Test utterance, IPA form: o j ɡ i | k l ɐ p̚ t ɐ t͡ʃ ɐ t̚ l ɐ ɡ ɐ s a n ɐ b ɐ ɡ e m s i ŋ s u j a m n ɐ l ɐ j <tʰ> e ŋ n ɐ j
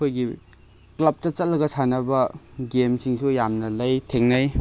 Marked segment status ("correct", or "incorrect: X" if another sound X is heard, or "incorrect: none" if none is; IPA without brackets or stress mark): correct